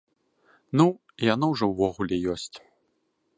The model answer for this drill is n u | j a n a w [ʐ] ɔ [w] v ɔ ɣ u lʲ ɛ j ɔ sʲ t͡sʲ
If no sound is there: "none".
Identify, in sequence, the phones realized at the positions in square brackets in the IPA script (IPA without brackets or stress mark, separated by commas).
ʐ, w